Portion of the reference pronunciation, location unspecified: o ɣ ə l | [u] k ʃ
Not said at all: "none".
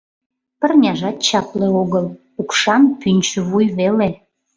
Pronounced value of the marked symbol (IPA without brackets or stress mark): u